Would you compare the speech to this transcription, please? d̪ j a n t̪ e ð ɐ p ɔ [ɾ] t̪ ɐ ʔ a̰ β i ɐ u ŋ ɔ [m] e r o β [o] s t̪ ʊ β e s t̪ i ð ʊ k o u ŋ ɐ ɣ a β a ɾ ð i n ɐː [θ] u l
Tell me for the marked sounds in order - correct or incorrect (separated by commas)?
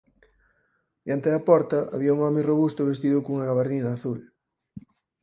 correct, correct, incorrect, correct